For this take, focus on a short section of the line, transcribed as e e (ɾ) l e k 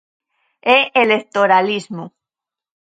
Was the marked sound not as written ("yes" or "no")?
yes